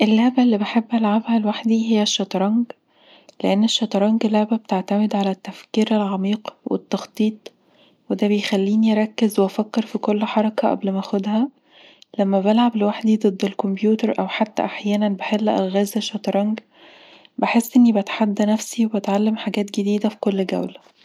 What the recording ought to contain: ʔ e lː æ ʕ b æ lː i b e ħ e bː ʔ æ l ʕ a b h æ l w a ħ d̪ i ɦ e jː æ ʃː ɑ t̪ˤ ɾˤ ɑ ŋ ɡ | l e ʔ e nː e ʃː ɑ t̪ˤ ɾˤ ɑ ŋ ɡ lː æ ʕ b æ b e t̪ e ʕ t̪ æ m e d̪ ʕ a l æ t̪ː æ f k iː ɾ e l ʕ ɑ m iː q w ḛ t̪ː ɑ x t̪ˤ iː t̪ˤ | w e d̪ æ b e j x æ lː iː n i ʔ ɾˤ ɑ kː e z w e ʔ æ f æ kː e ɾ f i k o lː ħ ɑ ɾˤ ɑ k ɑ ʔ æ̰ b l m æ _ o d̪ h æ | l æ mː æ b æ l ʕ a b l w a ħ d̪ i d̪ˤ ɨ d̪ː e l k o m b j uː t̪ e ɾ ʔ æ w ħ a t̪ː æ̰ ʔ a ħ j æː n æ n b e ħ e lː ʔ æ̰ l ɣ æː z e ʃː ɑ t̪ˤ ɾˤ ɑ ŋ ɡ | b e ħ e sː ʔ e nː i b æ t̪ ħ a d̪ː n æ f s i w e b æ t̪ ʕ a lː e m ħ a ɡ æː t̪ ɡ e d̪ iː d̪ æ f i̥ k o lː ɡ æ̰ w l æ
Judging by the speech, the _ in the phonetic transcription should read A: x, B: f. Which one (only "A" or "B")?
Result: A